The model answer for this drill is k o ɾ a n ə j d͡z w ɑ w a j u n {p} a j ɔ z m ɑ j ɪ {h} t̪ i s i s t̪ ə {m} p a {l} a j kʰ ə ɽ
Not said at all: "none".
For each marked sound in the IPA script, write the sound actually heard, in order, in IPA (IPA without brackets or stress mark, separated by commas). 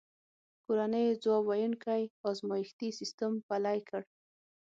k, x, m, l